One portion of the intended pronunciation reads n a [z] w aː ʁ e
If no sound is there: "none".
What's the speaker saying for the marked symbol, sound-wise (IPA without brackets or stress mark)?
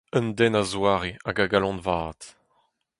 z